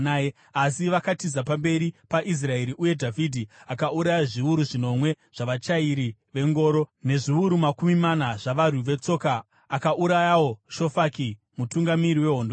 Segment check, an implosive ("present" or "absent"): absent